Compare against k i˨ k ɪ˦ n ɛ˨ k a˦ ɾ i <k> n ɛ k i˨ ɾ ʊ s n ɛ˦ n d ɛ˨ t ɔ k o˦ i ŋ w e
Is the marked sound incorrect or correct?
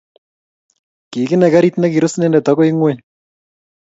incorrect